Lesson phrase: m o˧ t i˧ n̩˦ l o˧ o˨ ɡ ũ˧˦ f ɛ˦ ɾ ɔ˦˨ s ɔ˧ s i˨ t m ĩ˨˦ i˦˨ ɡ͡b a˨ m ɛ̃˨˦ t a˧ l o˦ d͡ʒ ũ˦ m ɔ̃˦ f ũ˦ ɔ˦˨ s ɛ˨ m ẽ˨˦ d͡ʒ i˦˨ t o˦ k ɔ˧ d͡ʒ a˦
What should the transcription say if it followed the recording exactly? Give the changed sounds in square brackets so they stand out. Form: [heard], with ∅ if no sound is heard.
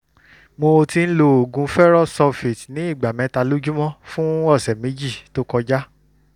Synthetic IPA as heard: m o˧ t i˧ n̩˦ l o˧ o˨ ɡ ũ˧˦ f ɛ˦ ɾ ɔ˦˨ s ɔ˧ [f] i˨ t [n] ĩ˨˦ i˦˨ ɡ͡b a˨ m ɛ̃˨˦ t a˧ l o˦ d͡ʒ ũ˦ m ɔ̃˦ f ũ˦ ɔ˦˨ s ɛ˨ m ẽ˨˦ d͡ʒ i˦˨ t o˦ k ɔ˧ d͡ʒ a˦